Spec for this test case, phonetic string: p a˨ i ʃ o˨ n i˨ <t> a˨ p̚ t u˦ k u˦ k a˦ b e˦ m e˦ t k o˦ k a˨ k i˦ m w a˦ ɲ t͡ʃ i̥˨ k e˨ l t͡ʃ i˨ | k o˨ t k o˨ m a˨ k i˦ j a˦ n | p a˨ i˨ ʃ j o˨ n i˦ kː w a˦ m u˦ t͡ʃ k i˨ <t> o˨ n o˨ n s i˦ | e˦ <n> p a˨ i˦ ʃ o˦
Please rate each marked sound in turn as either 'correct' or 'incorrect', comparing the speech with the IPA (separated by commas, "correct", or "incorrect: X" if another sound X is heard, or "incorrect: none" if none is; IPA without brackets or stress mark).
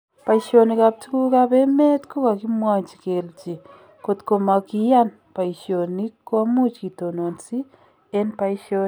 incorrect: k, correct, correct